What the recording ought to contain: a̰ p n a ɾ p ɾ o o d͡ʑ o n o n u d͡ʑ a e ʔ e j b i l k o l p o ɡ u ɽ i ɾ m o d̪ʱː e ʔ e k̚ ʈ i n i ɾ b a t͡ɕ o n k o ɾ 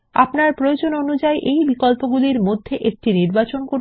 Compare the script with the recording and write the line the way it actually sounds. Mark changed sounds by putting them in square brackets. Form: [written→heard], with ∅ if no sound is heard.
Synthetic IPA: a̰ p n a ɾ p ɾ o o d͡ʑ o n o n u d͡ʑ a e ʔ e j b i [l→∅] k o l p o ɡ u [ɽ→l] i ɾ m o d̪ʱː e ʔ e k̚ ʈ i n i ɾ b a t͡ɕ o n k o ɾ